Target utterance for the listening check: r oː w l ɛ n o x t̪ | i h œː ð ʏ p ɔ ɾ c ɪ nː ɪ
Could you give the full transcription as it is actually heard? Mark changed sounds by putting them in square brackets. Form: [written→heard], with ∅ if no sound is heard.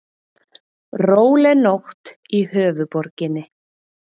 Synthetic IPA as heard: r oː w l ɛ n o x t̪ | i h œː [ð→v] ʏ p ɔ ɾ c ɪ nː ɪ